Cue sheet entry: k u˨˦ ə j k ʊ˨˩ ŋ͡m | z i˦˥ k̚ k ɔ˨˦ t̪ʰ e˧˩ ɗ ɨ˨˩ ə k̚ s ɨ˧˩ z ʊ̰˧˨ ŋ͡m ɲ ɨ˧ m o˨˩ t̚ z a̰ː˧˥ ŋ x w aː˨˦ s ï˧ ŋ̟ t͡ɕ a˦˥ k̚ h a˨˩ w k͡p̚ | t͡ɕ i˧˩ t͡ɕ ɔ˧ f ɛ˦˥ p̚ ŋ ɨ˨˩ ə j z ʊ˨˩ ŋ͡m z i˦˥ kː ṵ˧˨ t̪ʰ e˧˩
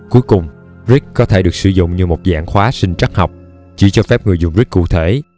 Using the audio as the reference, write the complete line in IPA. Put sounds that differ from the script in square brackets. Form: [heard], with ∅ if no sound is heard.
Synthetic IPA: k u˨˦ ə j k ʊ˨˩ ŋ͡m | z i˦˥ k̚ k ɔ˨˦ t̪ʰ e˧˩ ɗ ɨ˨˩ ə k̚ s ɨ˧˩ z ʊ̰˧˨ ŋ͡m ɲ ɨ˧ m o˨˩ t̚ z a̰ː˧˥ ŋ x w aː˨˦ s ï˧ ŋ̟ t͡ɕ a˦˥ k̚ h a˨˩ w k͡p̚ | t͡ɕ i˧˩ t͡ɕ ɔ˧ f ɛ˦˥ p̚ ŋ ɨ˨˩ ə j z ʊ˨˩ ŋ͡m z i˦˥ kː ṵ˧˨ t̪ʰ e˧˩